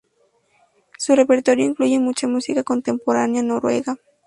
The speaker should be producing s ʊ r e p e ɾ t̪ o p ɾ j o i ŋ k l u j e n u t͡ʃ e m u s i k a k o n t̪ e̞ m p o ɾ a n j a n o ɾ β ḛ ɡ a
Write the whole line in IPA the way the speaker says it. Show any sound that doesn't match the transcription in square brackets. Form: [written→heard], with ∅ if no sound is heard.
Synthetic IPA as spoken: s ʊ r e p e ɾ t̪ o [p→∅] ɾ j o i ŋ k l u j e [n→m] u t͡ʃ [e→a] m u s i k a k o n t̪ e̞ m p o ɾ a n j a n o ɾ [β→w] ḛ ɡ a